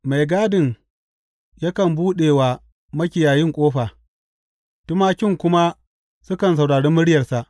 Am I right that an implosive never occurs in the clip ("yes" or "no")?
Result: no